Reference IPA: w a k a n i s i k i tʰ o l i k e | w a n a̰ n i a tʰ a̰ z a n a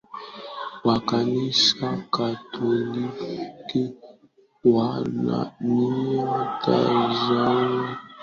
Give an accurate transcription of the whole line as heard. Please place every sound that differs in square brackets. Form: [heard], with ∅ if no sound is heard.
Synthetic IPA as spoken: w a k a n i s [a] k [a] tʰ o l i k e | w a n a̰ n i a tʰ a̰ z a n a